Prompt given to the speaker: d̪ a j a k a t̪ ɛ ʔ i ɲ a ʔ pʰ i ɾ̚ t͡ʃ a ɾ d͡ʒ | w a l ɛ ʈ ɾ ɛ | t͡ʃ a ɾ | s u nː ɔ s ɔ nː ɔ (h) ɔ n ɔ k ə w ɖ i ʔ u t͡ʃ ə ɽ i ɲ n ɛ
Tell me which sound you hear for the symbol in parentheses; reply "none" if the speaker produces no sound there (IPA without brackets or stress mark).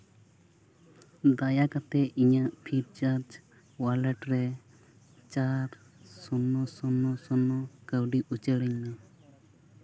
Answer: s